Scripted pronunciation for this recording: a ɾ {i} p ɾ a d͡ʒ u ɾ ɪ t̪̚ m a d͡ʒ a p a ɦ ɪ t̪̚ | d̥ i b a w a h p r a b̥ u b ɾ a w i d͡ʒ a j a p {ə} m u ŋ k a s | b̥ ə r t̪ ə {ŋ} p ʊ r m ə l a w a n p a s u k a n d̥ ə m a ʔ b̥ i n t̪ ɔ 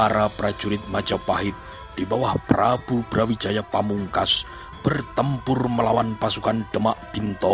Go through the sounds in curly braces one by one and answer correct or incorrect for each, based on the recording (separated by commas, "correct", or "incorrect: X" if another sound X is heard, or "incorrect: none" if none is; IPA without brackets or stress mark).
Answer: incorrect: a, incorrect: a, incorrect: m